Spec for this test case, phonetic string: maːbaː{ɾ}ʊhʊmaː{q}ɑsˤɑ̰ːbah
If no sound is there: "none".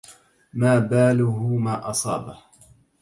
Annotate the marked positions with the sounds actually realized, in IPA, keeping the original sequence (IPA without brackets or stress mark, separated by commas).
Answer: l, ʔ